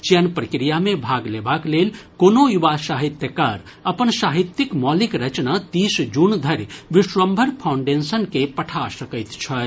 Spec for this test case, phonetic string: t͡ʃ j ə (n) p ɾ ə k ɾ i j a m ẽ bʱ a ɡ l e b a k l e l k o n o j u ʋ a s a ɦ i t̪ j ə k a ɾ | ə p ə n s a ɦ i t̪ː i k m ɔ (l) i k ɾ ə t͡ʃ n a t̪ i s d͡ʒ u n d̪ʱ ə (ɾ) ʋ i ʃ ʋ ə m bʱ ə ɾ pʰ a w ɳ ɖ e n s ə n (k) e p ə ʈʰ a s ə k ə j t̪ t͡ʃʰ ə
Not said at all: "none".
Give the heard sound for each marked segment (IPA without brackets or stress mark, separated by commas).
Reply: n, l, ɾ, k